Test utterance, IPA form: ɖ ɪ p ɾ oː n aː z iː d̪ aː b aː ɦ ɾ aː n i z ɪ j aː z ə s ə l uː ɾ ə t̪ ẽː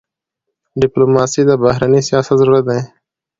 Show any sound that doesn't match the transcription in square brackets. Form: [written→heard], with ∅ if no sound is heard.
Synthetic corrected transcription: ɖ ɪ p [ɾ→l] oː [n→m] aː [z→s] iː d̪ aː b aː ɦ ɾ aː n i [z→s] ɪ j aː [z→s] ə [s→z] ə [l→ɾ] uː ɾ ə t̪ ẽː